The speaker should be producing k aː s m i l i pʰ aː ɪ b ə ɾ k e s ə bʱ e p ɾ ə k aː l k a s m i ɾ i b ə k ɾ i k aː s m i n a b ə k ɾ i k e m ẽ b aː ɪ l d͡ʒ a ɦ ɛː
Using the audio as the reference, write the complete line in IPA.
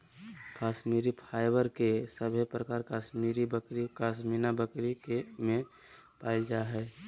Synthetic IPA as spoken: k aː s m i ɾ i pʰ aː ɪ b ə ɾ k e s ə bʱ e p ɾ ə k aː ɾ k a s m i ɾ i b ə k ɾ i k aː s m i n a b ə k ɾ i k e m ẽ p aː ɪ l d͡ʒ a ɦ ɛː